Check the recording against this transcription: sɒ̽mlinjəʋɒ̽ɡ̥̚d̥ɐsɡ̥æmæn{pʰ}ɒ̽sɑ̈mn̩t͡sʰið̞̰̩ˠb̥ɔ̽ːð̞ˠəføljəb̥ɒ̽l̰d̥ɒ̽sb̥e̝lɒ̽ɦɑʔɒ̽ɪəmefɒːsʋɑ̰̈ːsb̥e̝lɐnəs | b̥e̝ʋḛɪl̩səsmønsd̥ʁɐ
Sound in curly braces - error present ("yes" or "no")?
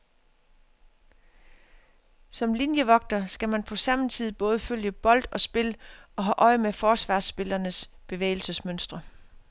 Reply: no